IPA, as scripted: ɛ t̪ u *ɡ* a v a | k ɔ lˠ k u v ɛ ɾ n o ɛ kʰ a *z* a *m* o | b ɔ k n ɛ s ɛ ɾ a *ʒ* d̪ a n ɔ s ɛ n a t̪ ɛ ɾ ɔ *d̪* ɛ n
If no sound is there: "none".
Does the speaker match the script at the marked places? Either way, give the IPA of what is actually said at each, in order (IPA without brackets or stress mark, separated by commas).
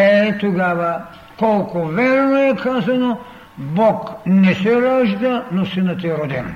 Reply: ɡ, z, n, ʒ, d̪